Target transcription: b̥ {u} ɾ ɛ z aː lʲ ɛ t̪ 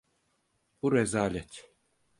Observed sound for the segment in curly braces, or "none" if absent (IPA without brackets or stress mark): u